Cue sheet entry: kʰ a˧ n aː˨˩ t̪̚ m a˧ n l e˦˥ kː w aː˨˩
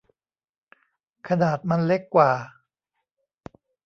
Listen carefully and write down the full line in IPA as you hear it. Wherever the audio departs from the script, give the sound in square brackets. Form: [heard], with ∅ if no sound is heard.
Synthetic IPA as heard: kʰ a˧ n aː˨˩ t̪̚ m a˧ n l e˦˥ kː w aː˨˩